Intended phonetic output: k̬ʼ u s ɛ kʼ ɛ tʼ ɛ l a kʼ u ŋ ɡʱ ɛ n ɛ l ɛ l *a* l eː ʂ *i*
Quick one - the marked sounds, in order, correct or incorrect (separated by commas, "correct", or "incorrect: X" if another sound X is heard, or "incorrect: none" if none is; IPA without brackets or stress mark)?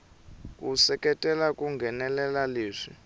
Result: correct, correct